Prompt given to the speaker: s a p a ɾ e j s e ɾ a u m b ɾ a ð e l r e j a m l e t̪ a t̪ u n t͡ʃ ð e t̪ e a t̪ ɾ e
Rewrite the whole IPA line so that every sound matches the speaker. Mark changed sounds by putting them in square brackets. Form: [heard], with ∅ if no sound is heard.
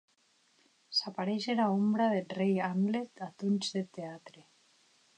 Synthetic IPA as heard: s a p a ɾ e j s e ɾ a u m b ɾ a ð e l r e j a m l e t̪ a t̪ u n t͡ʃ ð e t̪ e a t̪ ɾ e